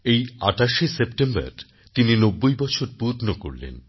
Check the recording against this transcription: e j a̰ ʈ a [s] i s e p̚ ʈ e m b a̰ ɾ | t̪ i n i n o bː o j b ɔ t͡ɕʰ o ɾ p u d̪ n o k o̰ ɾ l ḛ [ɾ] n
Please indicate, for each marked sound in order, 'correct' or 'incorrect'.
incorrect: ʃ, incorrect: none

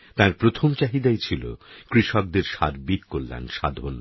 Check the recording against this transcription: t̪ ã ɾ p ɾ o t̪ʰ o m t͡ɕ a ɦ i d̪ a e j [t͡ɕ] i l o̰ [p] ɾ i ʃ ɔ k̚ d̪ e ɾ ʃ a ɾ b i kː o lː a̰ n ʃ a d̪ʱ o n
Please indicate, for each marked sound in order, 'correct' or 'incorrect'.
incorrect: t͡ɕʰ, incorrect: k

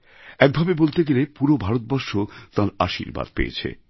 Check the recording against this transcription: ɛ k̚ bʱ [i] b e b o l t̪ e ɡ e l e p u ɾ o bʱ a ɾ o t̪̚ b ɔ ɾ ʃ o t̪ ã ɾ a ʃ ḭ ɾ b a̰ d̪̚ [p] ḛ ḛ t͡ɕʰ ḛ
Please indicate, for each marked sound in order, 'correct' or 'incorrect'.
incorrect: a, correct

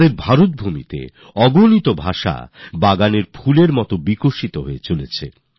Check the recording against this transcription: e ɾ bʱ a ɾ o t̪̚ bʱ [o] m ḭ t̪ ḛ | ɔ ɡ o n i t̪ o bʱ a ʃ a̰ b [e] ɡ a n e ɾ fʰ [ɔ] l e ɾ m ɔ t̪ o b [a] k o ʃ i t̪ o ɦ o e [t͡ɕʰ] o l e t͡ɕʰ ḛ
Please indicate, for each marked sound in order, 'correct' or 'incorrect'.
incorrect: u, incorrect: a, incorrect: u, incorrect: i, incorrect: t͡ɕ

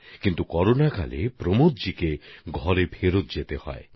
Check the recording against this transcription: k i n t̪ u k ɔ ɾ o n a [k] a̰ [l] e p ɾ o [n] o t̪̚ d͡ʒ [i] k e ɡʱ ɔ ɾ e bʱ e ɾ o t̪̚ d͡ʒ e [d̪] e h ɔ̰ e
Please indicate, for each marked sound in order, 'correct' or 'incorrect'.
correct, correct, incorrect: m, correct, incorrect: t̪

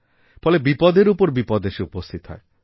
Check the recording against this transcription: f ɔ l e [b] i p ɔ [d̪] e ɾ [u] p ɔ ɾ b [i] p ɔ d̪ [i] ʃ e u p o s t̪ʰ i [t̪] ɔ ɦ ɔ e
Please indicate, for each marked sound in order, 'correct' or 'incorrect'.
correct, correct, correct, correct, incorrect: e, correct

